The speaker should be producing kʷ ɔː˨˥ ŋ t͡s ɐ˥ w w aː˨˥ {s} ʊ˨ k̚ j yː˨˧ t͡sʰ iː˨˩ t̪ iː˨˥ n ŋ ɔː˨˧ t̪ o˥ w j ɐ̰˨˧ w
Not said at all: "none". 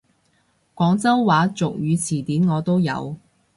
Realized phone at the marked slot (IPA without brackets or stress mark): t͡s